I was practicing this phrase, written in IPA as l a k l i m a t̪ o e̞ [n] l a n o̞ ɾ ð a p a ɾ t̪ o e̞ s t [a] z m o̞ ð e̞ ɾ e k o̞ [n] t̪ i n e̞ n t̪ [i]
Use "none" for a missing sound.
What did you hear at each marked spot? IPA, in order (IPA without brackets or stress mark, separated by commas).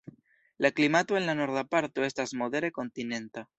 n, a, n, a